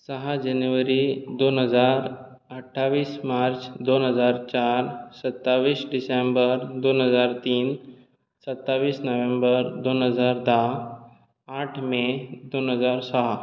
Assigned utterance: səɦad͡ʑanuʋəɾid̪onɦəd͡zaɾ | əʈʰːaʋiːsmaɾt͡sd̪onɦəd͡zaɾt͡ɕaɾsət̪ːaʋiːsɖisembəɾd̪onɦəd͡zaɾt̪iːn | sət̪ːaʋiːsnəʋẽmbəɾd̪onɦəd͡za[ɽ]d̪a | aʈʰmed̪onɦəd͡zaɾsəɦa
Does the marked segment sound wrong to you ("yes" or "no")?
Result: yes